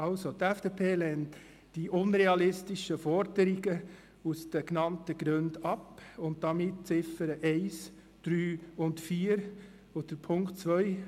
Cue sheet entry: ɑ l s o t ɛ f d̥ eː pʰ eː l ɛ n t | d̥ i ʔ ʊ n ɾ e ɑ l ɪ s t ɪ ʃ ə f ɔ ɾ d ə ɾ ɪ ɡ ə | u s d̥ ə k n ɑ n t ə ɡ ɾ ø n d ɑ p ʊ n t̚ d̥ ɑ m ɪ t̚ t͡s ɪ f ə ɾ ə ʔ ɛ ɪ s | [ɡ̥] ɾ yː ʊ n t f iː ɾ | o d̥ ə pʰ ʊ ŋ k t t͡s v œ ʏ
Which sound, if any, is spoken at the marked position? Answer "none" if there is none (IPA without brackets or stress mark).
d̥